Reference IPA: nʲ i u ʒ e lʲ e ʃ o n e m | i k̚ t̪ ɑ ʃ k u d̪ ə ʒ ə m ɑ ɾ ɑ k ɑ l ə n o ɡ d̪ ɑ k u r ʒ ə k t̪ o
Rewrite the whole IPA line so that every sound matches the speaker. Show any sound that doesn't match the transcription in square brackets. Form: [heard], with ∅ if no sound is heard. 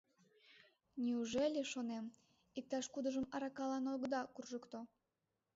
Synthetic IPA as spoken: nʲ i u ʒ e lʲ e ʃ o n e m | i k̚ t̪ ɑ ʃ k u d̪ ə ʒ ə m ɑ ɾ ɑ k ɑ l [ɑ] n o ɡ d̪ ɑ k u r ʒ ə k t̪ o